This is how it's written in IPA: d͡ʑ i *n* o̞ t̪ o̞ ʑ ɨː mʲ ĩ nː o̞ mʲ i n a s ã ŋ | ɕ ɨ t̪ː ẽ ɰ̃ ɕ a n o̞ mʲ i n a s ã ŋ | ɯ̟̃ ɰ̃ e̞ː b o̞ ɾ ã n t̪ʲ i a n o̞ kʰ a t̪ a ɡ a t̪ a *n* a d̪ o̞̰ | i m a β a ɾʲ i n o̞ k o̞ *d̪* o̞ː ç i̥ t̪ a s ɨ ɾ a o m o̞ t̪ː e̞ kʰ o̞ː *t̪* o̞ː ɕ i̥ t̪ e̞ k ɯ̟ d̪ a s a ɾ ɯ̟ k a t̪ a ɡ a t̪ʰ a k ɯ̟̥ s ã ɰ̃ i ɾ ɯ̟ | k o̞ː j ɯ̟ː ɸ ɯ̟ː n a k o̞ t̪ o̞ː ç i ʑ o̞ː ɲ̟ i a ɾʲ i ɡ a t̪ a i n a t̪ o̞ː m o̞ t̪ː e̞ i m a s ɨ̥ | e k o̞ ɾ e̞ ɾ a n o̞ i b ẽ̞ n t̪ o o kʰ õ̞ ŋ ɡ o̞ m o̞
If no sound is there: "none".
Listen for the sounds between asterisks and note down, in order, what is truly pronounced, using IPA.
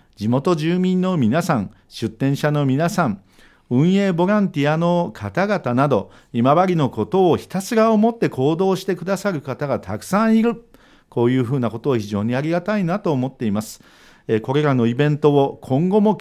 m, n, t̪, d̪

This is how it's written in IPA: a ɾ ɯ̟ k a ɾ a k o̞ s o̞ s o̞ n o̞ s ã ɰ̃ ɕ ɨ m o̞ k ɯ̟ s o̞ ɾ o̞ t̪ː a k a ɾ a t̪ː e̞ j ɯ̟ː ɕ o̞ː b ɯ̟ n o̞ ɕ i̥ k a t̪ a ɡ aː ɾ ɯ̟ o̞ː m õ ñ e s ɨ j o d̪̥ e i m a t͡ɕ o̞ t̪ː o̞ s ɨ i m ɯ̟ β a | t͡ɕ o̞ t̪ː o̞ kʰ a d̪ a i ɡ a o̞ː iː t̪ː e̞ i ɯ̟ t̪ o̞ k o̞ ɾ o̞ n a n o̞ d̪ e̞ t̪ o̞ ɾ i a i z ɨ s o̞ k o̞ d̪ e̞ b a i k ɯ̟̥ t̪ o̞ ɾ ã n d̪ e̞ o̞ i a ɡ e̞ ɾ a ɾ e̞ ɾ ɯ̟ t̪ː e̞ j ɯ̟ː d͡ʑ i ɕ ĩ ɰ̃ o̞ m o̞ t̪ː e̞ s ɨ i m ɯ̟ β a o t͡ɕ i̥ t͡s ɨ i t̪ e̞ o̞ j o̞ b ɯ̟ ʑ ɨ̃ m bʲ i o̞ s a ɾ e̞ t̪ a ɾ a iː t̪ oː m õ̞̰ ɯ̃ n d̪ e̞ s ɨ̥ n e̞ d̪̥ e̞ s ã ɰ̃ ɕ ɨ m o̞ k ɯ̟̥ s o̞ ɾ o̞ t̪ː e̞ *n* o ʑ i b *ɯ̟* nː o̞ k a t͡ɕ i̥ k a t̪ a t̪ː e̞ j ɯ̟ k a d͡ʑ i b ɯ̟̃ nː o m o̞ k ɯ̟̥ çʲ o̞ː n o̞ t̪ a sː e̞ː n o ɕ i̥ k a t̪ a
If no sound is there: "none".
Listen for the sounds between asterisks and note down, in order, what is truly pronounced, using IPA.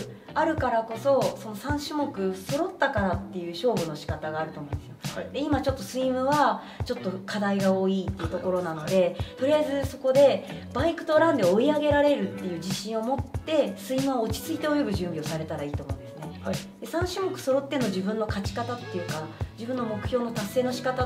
n, ɯ̟̃

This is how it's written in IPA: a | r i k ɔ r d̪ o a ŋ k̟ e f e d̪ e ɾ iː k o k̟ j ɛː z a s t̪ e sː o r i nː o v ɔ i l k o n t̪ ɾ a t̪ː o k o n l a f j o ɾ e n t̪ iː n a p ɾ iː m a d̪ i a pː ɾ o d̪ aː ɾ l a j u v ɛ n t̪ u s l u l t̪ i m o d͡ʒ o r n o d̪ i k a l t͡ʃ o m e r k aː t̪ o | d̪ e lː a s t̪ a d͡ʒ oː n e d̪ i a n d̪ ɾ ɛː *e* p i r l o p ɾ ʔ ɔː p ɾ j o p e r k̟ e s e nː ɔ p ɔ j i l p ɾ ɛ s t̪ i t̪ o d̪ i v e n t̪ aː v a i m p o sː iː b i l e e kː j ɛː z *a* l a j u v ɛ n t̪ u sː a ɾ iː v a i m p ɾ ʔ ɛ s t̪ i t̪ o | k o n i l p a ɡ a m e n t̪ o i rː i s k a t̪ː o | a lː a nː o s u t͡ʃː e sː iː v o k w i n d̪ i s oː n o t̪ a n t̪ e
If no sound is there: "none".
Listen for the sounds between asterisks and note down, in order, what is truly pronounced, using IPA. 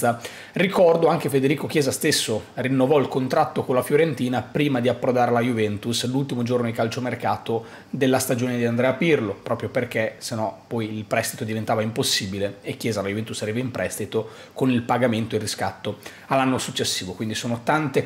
a, a

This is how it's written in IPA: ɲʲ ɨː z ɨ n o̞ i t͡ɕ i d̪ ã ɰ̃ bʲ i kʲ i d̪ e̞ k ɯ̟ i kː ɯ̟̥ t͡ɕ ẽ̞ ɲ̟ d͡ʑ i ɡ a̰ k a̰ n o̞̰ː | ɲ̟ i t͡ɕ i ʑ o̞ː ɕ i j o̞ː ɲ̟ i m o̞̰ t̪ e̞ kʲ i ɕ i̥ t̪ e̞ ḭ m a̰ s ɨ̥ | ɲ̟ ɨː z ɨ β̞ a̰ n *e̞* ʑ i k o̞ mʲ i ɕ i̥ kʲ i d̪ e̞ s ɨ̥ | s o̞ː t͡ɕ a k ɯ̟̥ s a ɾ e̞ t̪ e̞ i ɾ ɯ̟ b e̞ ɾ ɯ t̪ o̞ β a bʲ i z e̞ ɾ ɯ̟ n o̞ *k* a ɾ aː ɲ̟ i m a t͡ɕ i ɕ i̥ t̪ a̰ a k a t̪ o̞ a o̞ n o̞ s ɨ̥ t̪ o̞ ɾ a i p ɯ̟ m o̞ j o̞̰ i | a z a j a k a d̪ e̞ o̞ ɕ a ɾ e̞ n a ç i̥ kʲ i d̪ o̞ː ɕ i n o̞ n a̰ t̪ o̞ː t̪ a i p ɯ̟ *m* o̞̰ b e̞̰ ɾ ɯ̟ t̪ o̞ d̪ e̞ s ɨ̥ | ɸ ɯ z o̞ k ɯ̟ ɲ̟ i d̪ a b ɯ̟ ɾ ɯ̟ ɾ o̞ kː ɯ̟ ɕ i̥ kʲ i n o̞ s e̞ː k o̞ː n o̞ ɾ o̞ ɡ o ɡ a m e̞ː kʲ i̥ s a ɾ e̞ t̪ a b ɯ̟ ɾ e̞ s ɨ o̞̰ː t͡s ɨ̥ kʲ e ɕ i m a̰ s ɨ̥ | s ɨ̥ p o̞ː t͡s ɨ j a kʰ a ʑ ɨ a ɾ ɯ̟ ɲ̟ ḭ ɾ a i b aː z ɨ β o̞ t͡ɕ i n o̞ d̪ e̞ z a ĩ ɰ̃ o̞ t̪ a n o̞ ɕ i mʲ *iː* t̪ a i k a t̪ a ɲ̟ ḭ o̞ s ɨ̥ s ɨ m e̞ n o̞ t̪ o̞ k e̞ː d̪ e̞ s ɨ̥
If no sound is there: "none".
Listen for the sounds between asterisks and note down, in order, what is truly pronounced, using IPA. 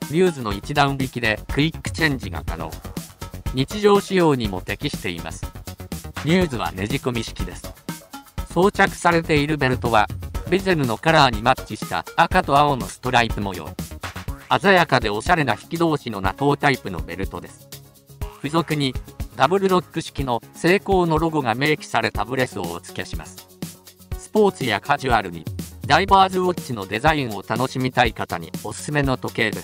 e̞, k, n, i

